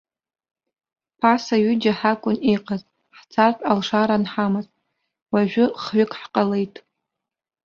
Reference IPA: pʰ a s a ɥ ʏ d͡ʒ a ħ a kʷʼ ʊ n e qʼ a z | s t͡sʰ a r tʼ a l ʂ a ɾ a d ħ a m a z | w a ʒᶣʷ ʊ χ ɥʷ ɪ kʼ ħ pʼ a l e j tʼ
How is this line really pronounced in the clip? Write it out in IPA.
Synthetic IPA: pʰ a s a ɥ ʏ d͡ʒ a ħ a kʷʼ ʊ n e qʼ a z | ħ t͡sʰ a r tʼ a l ʂ a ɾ a n ħ a m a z | w a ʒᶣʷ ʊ χ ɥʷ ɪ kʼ ħ qʼ a l e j tʼ